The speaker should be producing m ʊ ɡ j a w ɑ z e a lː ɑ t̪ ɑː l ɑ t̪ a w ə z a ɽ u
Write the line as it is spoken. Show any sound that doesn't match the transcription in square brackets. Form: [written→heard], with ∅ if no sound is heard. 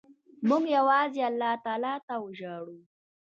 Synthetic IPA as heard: m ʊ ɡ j a w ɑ z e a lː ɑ t̪ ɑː l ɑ t̪ a w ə [z→ʒ] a ɽ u